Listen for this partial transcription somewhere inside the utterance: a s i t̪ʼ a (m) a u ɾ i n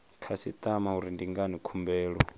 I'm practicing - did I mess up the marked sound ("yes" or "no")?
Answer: no